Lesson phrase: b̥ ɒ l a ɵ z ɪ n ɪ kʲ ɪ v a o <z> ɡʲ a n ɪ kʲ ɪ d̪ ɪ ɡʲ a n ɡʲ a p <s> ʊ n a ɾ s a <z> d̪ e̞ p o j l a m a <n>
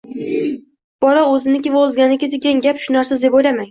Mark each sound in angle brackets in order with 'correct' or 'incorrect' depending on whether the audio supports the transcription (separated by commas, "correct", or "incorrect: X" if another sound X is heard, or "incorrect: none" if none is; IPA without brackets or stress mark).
correct, incorrect: ʃ, correct, incorrect: ŋ